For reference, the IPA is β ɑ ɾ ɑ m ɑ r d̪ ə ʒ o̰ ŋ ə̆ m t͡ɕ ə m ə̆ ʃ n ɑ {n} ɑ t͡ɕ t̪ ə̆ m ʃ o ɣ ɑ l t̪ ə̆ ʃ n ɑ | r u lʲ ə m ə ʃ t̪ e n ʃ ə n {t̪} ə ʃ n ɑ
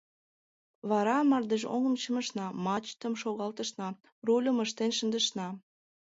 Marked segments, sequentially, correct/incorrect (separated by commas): incorrect, incorrect